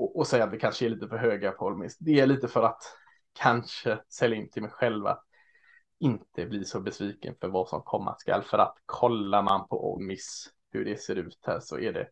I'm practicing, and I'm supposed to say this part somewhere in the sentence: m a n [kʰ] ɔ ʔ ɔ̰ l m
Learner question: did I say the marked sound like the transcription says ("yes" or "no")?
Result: no